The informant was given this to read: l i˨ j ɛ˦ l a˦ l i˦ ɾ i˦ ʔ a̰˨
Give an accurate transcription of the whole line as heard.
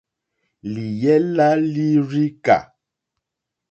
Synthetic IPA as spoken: l i˨ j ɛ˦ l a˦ l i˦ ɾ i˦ k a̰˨

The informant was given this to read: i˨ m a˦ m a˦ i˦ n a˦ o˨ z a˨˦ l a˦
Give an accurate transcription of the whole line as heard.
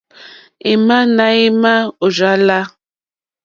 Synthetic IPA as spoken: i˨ m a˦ n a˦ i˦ m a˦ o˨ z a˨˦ l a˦

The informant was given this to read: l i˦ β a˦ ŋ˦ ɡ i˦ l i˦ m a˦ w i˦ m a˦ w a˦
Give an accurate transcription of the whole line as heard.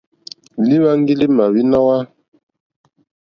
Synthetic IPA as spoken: l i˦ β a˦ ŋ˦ ɡ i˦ l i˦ m a˨ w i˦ n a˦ w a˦

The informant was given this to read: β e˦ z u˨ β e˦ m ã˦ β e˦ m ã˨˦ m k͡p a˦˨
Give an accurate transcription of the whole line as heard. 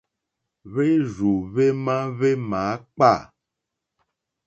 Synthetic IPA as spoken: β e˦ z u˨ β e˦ m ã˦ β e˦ m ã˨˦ k͡p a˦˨

